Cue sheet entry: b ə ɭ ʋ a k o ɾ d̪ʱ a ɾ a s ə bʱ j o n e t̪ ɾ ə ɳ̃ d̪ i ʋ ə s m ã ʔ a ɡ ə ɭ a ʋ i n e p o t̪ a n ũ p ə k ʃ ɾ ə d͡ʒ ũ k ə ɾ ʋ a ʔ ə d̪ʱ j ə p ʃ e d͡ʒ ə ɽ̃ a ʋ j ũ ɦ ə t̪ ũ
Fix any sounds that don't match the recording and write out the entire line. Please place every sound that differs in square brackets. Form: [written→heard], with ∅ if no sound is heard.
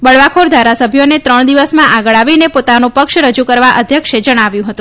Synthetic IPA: b ə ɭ ʋ a [k→kʰ] o ɾ d̪ʱ a ɾ a s ə bʱ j o n e t̪ ɾ ə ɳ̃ d̪ i ʋ ə s m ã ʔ a ɡ ə ɭ a ʋ i n e p o t̪ a n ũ p ə k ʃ ɾ ə d͡ʒ [ũ→u] k ə ɾ ʋ a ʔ ə d̪ʱ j ə [p→k] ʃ e d͡ʒ ə ɽ̃ a ʋ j ũ ɦ ə t̪ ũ